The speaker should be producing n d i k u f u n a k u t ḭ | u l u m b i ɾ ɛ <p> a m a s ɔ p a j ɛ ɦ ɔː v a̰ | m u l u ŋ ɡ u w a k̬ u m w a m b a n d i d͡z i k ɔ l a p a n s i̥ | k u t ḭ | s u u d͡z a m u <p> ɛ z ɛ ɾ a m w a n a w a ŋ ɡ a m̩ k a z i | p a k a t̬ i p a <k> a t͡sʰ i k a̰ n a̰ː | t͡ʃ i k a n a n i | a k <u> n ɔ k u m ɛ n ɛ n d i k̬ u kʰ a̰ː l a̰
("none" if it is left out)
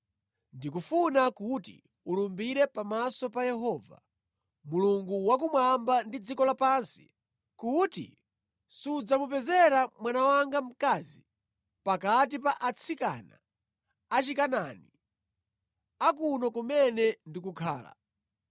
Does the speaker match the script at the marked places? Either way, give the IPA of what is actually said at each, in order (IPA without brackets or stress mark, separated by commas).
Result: p, p, ʔ, u